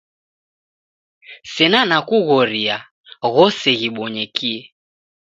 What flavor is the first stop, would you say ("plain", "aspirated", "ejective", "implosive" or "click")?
plain